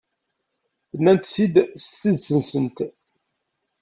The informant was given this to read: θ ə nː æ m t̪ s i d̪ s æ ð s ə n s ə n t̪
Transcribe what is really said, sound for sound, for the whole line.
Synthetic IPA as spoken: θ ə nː æ n t̪ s i d̪ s i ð s ə n s ə n t̪